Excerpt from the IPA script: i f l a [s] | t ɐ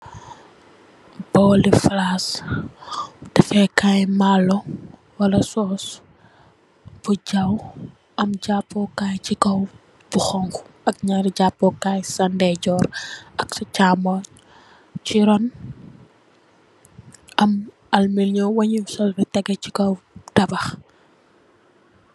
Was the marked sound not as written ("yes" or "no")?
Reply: no